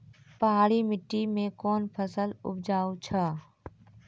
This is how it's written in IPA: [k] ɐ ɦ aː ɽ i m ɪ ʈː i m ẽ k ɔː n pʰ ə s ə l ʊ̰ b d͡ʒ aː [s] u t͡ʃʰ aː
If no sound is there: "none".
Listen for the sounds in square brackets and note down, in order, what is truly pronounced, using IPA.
p, none

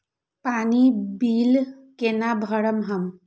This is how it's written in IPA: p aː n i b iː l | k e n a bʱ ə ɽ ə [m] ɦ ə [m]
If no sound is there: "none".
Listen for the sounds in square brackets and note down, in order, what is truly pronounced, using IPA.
m, m

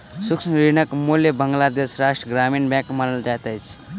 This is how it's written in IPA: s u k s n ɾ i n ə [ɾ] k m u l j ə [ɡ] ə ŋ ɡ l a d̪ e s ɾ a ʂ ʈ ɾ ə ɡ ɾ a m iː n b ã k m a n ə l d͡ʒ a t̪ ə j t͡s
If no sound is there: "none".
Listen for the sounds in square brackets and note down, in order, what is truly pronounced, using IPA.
none, b

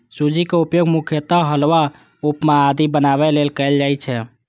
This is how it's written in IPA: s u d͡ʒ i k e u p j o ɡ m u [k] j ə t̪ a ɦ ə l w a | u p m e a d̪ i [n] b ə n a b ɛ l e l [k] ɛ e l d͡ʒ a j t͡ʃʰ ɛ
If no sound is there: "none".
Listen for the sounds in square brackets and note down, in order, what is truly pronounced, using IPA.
kʰ, none, k

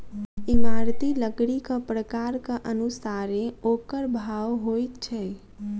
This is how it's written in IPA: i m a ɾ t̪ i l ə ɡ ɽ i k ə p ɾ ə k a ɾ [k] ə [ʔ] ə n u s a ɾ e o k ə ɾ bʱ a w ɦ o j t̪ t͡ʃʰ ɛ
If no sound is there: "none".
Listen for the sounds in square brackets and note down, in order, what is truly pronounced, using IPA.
k, ʔ

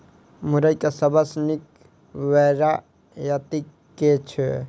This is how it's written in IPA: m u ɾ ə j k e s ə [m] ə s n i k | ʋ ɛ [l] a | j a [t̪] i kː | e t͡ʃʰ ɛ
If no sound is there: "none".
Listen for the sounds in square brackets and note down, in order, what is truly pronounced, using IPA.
b, ɾ, t̪

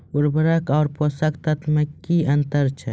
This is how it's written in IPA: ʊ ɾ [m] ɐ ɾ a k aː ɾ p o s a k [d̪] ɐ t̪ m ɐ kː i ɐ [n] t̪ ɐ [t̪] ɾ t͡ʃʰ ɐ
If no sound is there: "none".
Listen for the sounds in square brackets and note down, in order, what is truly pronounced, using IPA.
b, t̪, n, none

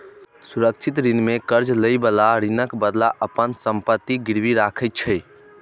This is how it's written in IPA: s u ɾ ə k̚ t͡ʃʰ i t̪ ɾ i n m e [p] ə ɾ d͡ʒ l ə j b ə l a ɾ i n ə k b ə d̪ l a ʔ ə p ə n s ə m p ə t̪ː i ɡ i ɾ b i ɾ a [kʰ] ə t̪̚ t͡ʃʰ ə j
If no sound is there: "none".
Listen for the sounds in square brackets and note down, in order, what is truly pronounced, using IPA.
k, kʰ

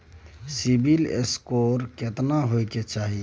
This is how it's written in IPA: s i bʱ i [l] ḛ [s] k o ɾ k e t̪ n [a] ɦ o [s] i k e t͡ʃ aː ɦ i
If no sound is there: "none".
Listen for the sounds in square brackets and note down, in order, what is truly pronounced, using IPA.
l, s, a, none

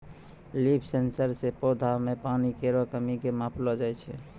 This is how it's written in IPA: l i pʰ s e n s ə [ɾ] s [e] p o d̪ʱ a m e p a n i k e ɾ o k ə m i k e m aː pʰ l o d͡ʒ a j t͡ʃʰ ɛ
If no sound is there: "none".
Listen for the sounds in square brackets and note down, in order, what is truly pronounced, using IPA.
ɾ, e

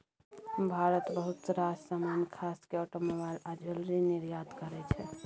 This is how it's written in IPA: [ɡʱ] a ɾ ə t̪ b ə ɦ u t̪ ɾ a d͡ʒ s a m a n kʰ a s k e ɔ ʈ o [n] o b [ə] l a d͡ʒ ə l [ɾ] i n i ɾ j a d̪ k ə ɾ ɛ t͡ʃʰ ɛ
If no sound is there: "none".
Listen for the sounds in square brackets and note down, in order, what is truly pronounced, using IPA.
bʱ, m, a, ɾ

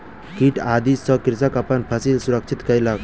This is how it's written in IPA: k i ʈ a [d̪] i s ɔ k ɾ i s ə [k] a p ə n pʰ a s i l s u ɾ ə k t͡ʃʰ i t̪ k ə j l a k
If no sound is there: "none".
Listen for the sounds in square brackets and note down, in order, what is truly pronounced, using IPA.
d̪, k

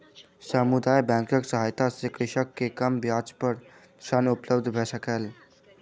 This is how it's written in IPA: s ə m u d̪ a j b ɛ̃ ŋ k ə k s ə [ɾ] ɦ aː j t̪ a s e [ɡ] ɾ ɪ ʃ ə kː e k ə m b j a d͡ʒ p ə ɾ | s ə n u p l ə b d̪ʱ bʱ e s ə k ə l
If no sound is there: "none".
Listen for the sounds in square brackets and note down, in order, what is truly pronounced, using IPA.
none, k

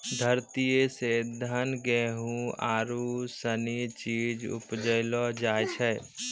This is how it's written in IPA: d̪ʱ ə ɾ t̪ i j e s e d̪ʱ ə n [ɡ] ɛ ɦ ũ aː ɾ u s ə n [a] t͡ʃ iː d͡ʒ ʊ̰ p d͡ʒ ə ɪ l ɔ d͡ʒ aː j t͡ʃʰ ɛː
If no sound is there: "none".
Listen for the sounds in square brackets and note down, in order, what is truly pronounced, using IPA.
ɡ, i

